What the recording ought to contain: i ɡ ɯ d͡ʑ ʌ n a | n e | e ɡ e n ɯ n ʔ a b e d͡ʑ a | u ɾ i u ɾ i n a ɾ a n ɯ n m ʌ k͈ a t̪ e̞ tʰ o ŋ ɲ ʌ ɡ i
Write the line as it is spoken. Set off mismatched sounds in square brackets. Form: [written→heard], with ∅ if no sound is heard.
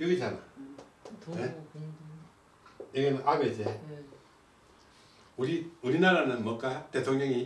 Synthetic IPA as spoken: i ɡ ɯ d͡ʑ [ʌ→a] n a | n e | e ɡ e n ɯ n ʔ a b e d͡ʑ [a→e] | u ɾ i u ɾ i n a ɾ a n ɯ n m ʌ k͈ a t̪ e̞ tʰ o ŋ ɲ ʌ [ɡ→ŋ] i